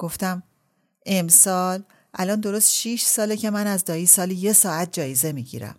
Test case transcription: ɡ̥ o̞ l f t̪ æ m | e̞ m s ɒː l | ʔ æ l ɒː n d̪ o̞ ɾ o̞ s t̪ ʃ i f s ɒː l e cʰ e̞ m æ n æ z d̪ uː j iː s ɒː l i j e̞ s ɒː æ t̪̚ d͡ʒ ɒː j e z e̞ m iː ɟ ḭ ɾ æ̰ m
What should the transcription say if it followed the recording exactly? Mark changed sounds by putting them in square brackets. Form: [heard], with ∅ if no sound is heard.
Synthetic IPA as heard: ɡ̥ o̞ [∅] f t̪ æ m | e̞ m s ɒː l | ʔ æ l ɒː n d̪ o̞ ɾ o̞ s t̪ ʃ i [ʃ] s ɒː l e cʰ e̞ m æ n æ z d̪ [ɒː] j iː s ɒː l i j e̞ s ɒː æ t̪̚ d͡ʒ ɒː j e z e̞ m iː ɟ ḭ ɾ æ̰ m